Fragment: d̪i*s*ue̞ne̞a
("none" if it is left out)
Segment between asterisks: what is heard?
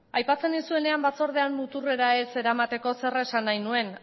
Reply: s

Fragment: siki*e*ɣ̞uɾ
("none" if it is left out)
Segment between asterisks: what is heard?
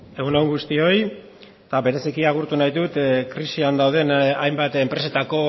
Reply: a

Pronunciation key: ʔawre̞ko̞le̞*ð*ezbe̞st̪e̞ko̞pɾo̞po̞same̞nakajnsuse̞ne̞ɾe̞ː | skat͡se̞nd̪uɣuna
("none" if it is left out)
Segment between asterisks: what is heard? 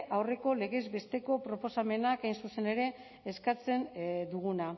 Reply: ɣ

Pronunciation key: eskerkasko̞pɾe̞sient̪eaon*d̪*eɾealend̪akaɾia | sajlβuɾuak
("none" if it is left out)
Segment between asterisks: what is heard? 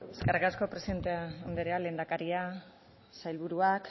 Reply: d̪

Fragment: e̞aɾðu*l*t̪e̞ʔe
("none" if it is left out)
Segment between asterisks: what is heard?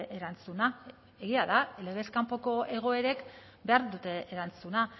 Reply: none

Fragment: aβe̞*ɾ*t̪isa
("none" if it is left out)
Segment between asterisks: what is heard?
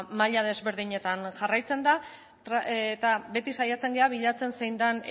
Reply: none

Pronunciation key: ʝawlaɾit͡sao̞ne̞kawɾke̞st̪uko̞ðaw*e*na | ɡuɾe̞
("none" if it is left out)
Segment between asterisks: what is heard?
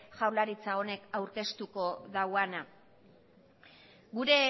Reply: a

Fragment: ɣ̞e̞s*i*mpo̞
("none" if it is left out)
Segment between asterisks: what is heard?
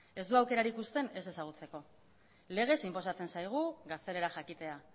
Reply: i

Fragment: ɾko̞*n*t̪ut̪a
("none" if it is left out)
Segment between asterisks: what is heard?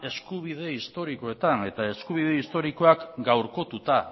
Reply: none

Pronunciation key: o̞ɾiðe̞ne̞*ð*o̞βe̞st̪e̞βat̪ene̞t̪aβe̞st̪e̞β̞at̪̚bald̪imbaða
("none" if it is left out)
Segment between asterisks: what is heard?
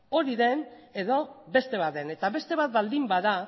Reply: ð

